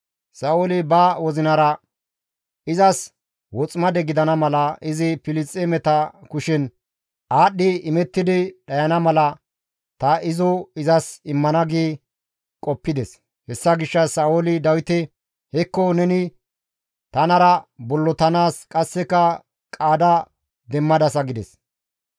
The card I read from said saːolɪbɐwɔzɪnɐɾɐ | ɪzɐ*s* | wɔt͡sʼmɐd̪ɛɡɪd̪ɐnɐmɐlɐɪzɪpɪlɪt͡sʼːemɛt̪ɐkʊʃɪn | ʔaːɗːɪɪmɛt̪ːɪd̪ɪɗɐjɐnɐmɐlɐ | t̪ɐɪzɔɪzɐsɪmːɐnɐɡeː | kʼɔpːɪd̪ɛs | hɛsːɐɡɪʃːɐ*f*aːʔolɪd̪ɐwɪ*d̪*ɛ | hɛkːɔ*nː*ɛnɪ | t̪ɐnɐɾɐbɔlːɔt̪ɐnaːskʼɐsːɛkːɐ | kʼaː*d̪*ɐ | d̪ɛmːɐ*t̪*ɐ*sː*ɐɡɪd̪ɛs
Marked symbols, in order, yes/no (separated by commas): yes, no, no, no, yes, no, no